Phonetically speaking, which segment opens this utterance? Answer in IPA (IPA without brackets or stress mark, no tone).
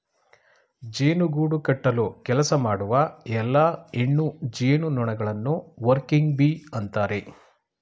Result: d͡ʒ